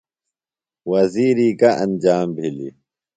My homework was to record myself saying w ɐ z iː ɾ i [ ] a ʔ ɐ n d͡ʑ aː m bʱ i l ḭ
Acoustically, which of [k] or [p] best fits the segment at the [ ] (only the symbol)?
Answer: k